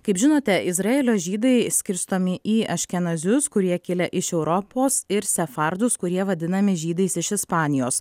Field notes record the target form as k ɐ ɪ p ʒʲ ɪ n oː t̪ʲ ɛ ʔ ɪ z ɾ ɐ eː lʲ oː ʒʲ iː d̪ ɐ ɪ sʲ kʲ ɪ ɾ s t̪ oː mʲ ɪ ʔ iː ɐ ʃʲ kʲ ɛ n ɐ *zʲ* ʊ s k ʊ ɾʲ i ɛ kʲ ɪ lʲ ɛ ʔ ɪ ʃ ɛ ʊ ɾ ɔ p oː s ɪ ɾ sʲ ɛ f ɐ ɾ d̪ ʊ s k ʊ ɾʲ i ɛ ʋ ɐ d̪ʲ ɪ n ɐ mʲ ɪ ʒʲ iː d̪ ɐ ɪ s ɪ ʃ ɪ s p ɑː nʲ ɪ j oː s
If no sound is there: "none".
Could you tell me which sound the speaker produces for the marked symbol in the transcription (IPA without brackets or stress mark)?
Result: zʲ